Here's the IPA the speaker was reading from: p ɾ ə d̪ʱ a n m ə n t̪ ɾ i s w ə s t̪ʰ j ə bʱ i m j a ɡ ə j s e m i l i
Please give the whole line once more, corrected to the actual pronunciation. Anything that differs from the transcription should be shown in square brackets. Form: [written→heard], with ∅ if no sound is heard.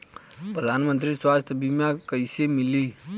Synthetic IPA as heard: p ɾ ə d̪ʱ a n m ə n t̪ ɾ i s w [ə→a] s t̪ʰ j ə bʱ i m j a [ɡ→k] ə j s e m i l i